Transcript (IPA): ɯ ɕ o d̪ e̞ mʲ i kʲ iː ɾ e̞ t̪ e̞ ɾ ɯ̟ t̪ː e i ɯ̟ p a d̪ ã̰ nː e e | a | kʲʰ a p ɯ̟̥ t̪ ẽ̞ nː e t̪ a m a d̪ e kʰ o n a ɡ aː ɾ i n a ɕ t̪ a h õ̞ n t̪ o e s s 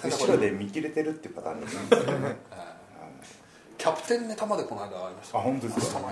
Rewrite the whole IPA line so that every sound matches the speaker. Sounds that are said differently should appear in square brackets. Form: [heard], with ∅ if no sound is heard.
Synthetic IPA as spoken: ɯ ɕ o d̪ e̞ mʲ i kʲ [i] ɾ e̞ t̪ e̞ ɾ ɯ̟ t̪ː e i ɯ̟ p a [t̪] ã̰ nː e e | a | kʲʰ a p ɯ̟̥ t̪ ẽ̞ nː e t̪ a m a d̪ e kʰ o n a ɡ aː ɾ i [m] a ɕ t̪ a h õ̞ n t̪ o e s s